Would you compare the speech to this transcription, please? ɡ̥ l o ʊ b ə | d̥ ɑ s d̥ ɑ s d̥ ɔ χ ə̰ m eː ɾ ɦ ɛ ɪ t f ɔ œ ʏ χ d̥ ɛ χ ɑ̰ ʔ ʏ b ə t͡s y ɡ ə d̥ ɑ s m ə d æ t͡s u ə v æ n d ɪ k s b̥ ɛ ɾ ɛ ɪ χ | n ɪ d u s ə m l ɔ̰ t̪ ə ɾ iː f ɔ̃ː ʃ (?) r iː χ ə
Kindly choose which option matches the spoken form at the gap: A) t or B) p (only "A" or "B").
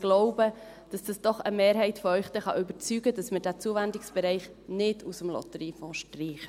A